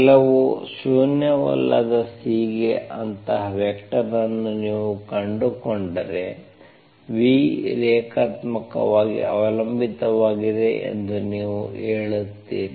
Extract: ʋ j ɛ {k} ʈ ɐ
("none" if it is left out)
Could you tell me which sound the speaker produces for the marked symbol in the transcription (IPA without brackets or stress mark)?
k